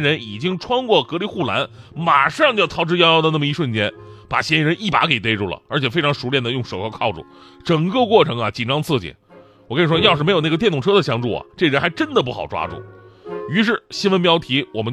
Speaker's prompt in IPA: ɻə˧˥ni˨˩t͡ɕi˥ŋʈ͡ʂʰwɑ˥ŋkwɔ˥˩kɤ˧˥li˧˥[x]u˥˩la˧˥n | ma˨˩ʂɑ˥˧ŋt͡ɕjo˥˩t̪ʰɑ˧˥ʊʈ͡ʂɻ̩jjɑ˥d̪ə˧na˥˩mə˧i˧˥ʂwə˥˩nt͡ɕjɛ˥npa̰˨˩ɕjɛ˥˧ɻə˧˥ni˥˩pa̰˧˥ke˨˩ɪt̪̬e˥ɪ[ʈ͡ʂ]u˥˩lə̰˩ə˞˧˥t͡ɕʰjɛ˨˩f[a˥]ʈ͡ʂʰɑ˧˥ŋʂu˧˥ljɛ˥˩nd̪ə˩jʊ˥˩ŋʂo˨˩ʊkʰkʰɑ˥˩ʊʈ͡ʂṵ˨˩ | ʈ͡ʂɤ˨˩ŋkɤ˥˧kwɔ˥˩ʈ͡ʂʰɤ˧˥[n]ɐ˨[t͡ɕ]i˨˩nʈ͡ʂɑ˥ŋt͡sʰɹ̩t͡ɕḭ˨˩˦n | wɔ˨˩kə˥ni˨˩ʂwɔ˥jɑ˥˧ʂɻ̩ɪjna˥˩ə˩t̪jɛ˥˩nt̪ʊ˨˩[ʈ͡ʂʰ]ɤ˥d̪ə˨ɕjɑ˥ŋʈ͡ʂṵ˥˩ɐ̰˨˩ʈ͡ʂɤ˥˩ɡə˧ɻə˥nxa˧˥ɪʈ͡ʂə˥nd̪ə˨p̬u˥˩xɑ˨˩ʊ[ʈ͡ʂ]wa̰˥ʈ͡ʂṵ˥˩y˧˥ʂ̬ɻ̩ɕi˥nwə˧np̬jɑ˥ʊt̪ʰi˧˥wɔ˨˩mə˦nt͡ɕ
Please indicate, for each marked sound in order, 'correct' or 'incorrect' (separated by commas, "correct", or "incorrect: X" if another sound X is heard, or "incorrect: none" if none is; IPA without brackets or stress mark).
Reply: correct, correct, incorrect: e˥, incorrect: ŋ, correct, correct, correct